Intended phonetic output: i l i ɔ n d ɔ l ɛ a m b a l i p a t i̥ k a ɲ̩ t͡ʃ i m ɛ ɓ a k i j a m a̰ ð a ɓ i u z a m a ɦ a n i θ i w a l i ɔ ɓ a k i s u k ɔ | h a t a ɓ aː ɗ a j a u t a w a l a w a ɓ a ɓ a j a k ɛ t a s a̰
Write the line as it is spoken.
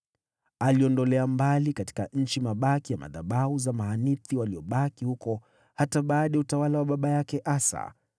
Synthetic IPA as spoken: a l i ɔ n d ɔ l ɛ a m b a l i k a t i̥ k a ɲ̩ t͡ʃ i m a ɓ a k i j a m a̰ ð a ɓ a u z a m a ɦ a n i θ i w a l i ɔ ɓ a k i h u k ɔ | h a t a ɓ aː ɗ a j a u t a w a l a w a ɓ a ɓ a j a k ɛ ʔ a s a̰